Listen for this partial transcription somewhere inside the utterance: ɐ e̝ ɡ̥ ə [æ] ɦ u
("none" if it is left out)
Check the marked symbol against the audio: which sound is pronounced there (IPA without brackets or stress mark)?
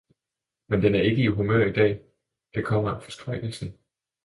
i